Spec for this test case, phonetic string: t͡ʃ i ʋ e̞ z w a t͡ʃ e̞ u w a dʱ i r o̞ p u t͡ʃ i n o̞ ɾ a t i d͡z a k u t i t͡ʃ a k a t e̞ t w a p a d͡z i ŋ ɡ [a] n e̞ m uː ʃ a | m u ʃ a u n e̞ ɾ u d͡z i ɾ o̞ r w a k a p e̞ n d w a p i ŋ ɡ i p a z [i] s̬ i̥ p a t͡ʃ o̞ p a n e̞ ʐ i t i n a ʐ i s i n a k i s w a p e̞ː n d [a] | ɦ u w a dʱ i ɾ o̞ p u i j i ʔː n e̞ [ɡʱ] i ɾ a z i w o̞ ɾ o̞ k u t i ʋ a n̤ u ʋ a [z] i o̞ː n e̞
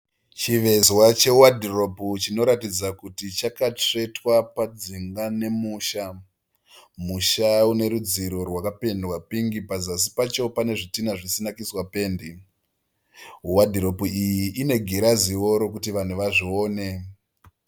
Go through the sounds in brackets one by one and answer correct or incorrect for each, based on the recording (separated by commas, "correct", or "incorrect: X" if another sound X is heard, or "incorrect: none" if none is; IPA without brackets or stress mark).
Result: correct, incorrect: a, incorrect: i, correct, incorrect: ʐ